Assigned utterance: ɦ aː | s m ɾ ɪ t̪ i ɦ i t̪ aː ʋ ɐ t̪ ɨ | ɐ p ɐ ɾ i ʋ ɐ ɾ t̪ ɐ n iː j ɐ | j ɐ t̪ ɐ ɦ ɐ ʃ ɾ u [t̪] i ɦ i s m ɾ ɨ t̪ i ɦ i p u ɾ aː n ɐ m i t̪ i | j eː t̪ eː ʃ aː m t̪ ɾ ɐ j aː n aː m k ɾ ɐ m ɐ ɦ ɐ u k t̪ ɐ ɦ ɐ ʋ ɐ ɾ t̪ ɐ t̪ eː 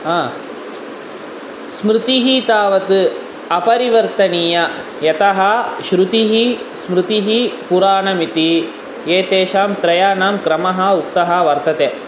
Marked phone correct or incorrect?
correct